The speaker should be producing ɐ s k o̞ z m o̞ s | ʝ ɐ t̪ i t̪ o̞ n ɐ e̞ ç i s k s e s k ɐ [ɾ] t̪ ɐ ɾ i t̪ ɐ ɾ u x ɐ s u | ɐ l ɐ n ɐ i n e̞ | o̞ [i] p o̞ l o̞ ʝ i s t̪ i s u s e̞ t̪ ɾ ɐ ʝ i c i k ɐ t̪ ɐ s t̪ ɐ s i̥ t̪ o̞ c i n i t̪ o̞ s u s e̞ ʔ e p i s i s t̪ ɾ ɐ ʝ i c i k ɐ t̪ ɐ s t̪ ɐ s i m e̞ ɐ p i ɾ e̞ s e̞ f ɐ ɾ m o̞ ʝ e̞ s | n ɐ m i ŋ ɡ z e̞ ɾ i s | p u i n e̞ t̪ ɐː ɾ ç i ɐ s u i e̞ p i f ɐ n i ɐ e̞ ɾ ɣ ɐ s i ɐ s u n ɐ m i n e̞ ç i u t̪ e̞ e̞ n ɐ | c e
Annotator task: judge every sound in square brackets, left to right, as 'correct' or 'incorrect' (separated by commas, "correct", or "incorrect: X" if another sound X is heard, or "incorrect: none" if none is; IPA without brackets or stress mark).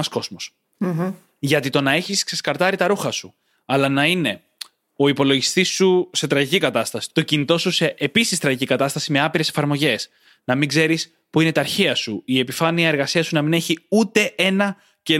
correct, correct